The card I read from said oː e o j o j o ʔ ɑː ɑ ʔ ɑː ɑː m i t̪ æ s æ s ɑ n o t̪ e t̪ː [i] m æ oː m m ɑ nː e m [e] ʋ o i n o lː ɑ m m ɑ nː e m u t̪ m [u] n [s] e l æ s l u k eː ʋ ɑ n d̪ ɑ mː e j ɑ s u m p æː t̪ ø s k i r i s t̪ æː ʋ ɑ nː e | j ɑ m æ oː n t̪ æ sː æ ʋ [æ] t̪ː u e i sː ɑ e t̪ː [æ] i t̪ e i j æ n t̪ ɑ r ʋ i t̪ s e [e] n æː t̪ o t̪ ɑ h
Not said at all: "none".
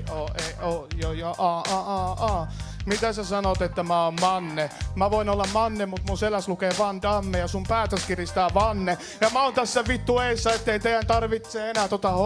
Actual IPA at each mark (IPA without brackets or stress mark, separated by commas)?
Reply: æ, æ, u, s, i, e, e